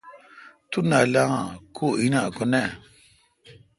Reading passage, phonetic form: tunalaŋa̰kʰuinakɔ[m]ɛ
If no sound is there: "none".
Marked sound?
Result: n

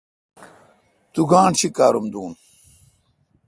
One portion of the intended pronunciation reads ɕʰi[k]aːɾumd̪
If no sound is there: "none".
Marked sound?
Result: k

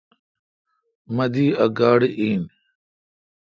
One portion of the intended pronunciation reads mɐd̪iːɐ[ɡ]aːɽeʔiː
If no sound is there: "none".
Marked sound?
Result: ɡ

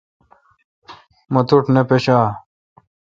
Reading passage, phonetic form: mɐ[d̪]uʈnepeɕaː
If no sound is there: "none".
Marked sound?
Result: t̪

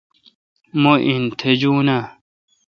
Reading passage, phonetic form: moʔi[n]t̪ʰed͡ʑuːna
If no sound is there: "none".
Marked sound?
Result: n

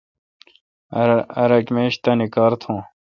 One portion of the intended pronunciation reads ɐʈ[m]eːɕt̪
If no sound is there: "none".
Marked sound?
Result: m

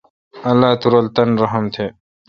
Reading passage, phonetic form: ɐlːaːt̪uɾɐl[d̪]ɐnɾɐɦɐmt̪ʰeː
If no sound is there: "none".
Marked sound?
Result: t̪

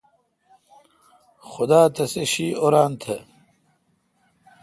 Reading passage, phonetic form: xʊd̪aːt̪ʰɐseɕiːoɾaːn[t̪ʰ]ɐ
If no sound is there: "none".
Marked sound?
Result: t̪ʰ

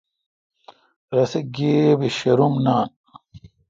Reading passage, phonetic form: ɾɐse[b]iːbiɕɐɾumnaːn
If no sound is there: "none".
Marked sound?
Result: ɡ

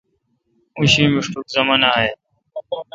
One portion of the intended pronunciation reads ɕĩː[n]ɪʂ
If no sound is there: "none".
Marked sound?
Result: m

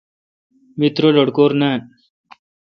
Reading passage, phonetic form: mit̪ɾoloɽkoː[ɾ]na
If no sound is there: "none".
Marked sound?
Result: ɾ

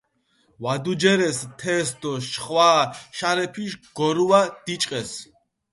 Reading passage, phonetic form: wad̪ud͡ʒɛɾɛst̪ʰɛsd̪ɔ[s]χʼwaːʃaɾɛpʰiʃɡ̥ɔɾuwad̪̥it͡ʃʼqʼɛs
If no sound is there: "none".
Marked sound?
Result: ʃ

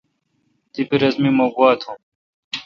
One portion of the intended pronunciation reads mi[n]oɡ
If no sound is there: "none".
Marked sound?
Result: m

